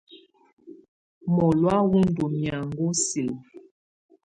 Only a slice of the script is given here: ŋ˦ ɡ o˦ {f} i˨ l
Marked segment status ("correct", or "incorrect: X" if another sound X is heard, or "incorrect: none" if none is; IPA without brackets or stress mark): incorrect: s